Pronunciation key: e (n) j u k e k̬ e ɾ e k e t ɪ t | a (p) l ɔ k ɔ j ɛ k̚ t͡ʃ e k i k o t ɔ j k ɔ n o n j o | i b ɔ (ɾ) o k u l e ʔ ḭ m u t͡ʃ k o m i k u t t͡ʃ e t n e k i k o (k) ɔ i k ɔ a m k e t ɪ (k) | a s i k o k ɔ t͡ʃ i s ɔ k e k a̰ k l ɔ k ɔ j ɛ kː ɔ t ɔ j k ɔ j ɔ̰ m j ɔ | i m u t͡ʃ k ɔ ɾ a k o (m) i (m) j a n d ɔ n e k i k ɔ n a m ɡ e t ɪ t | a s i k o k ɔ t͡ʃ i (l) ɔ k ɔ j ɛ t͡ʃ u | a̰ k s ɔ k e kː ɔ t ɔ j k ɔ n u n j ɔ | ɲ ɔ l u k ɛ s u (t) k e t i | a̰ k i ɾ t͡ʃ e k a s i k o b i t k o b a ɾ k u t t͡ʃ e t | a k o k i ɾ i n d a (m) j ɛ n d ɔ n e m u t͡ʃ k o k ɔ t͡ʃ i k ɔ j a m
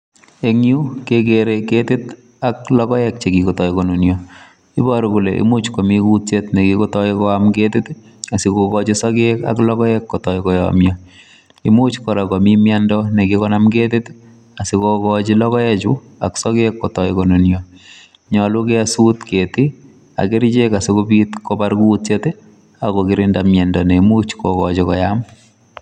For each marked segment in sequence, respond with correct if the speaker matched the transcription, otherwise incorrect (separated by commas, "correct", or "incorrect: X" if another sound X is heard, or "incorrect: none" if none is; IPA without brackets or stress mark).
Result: incorrect: ŋ, incorrect: k, correct, incorrect: t, incorrect: t, correct, correct, correct, correct, correct